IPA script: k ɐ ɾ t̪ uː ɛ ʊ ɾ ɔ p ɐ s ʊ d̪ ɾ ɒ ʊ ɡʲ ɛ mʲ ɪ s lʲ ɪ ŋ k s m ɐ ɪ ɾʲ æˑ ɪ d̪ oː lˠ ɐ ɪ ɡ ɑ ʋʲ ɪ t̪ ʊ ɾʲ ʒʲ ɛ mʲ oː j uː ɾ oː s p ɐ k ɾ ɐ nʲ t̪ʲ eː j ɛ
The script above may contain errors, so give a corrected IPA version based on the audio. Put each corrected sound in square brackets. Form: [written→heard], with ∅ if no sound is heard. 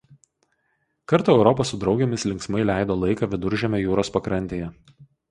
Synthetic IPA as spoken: k ɐ ɾ t̪ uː ɛ ʊ ɾ ɔ p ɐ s ʊ d̪ ɾ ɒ ʊ ɡʲ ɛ mʲ ɪ s lʲ ɪ ŋ k s m ɐ ɪ [ɾʲ→lʲ] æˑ ɪ d̪ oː lˠ ɐ ɪ [ɡ→k] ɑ ʋʲ ɪ [t̪→d̪] ʊ ɾʲ ʒʲ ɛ mʲ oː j uː ɾ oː s p ɐ k ɾ ɐ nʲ t̪ʲ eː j ɛ